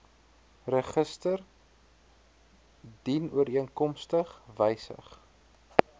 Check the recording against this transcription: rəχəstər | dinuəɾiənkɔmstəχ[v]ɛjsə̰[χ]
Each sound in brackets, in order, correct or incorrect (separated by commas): correct, correct